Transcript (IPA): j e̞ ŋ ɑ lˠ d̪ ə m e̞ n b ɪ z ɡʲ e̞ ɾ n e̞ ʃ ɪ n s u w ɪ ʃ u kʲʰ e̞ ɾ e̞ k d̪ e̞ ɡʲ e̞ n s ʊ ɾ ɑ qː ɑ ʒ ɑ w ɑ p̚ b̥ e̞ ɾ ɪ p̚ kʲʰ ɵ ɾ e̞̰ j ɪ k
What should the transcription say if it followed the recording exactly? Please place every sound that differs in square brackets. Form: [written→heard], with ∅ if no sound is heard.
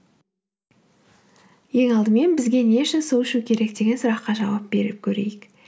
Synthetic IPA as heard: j e̞ ŋ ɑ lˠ d̪ ə m e̞ n b ɪ z ɡʲ e̞ [ɾ→∅] n e̞ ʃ ɪ n s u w ɪ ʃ u kʲʰ e̞ ɾ e̞ k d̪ e̞ ɡʲ e̞ n s ʊ ɾ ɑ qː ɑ ʒ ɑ w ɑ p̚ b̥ e̞ ɾ ɪ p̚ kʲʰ ɵ ɾ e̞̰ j ɪ k